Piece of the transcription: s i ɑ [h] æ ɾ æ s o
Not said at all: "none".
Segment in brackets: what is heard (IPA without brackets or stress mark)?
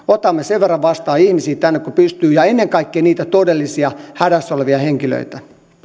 h